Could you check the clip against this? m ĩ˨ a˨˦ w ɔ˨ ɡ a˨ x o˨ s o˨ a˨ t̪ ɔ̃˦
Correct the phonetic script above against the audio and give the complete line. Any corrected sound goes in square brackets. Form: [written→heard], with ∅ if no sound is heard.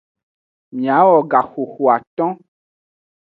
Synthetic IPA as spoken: m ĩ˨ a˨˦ w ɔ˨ ɡ a˨ x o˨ [s→x] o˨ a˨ t̪ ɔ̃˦